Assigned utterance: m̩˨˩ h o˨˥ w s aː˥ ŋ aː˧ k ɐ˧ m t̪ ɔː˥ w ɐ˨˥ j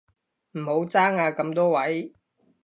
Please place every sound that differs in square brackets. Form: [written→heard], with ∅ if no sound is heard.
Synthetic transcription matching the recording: m̩˨˩ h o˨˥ w [s→t͡s] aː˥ ŋ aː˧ k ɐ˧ m t̪ ɔː˥ w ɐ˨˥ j